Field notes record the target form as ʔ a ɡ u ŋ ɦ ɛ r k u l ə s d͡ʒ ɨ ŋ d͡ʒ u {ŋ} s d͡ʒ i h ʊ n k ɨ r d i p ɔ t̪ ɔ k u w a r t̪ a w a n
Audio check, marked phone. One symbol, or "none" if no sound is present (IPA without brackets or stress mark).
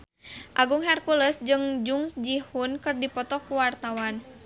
ŋ